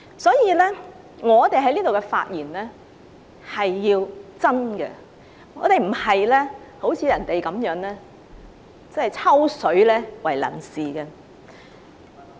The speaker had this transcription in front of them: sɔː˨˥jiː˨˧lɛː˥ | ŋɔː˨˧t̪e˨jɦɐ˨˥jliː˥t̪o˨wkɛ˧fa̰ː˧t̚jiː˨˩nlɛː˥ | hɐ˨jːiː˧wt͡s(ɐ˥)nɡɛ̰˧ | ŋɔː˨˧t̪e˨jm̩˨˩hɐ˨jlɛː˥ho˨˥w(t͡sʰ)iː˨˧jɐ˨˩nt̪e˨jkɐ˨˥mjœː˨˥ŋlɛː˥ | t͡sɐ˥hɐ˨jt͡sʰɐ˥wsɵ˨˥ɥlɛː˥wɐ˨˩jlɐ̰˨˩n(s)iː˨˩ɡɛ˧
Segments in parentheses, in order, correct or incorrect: correct, correct, correct

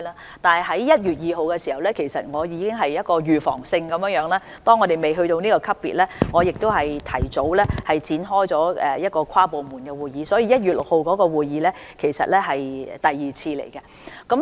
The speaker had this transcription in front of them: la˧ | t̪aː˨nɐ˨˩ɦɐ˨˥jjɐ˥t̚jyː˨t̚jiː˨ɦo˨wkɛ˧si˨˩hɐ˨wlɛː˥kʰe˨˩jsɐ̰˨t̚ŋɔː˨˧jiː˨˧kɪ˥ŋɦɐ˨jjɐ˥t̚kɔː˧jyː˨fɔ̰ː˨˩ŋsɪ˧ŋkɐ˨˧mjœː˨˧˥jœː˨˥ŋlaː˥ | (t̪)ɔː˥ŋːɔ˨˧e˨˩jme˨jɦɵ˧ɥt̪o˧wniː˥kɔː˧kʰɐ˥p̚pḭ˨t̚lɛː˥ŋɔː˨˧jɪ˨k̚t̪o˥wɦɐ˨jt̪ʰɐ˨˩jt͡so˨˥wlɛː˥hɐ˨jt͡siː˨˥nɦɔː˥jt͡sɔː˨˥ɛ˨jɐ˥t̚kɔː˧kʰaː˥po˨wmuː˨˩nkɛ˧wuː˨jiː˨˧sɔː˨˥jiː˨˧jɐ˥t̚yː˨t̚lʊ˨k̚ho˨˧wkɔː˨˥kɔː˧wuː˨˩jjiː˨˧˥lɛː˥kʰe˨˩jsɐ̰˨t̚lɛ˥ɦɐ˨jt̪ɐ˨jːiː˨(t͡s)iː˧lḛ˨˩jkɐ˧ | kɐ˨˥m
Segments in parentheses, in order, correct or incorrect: correct, incorrect: t͡sʰ

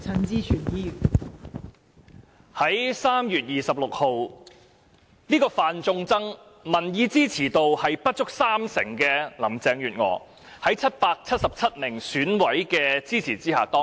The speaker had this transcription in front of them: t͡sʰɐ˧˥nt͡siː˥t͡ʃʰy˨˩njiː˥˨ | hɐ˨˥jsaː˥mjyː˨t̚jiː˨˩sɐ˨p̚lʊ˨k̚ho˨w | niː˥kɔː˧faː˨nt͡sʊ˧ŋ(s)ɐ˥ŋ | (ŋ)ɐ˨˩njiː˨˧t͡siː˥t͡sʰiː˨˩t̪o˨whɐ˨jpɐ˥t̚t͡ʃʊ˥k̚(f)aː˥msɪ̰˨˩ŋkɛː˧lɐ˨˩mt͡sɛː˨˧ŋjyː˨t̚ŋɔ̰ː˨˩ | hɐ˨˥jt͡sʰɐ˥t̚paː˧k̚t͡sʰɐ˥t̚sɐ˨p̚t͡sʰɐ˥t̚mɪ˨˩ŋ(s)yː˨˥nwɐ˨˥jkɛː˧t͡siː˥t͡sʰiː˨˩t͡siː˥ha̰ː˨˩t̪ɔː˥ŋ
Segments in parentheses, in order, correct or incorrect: incorrect: t͡s, incorrect: m, incorrect: s, correct

